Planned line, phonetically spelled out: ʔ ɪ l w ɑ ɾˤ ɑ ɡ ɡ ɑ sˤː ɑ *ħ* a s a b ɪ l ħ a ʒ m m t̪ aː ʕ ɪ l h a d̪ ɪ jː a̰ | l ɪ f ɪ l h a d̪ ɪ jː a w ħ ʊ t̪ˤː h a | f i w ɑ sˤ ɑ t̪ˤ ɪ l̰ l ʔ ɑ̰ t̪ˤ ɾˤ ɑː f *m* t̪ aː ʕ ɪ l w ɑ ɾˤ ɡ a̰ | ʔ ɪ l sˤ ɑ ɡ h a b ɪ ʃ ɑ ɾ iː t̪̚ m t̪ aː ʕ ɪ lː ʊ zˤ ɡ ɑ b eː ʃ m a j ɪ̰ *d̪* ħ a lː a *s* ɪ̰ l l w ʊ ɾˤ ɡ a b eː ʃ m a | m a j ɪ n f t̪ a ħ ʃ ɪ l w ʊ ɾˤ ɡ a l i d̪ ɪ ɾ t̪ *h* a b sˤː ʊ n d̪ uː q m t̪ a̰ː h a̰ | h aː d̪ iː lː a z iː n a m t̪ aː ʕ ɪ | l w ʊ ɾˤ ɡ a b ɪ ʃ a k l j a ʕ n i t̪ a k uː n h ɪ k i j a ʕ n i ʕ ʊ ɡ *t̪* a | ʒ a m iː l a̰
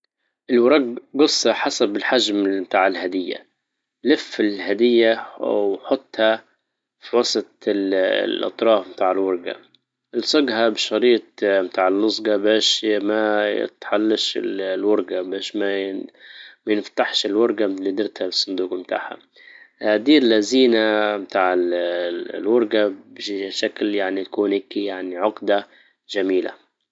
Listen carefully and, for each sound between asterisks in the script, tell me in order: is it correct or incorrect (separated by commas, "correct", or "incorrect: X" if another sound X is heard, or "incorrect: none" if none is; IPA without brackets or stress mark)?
correct, correct, incorrect: t̪, incorrect: ʃ, correct, incorrect: d̪